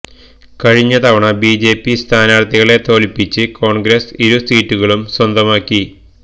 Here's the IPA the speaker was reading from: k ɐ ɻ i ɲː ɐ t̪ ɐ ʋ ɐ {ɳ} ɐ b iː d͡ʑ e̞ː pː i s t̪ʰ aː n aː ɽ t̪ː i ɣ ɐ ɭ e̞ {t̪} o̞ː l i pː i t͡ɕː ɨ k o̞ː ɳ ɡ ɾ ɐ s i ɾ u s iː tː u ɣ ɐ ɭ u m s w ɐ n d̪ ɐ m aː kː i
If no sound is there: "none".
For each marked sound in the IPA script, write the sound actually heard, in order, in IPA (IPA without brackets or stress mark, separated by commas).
ɳ, t̪